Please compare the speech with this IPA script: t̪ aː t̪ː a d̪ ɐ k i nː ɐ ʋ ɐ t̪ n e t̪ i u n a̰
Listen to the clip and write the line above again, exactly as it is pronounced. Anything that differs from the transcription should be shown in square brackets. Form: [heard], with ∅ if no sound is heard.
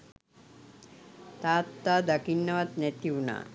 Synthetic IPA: t̪ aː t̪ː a d̪ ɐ k i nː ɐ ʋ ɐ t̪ n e t̪ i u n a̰